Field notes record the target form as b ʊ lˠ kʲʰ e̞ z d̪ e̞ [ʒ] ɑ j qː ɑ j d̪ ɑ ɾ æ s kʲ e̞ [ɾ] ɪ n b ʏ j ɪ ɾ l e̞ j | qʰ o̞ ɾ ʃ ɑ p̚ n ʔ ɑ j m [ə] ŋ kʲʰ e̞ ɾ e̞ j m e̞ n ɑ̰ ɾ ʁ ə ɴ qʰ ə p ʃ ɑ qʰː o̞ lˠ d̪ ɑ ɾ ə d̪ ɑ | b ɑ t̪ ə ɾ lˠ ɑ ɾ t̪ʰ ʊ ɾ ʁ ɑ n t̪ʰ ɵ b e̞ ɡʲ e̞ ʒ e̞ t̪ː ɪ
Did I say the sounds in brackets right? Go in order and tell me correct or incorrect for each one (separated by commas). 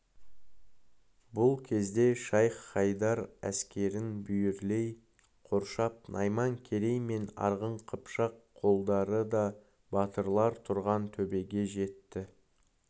incorrect, correct, incorrect